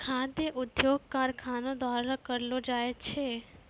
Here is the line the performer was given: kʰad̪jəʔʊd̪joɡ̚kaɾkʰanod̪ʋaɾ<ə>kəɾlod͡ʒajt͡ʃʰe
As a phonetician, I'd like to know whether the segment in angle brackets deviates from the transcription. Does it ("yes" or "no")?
yes